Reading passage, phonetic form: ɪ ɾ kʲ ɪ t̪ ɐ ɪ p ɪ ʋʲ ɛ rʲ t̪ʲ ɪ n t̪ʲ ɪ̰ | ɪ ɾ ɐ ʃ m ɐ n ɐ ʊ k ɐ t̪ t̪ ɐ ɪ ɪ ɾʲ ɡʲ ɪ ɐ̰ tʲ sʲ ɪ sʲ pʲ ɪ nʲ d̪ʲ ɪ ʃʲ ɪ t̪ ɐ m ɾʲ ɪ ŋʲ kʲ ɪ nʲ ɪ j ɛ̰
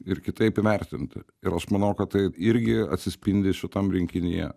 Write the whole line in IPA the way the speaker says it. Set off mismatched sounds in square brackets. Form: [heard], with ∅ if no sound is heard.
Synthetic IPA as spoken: ɪ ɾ kʲ ɪ t̪ ɐ ɪ p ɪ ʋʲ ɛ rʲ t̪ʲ ɪ n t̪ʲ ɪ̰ | ɪ ɾ ɐ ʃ m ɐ n ɐ ʊ k ɐ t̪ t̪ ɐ ɪ ɪ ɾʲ ɡʲ ɪ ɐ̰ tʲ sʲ ɪ sʲ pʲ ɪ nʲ d̪ʲ ɪ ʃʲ ɪ t̪ ɐ m ɾʲ ɪ ŋʲ kʲ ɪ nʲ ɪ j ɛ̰